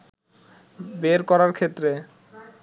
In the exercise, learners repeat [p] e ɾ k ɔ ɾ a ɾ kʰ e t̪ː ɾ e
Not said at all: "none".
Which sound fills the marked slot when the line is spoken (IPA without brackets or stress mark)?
b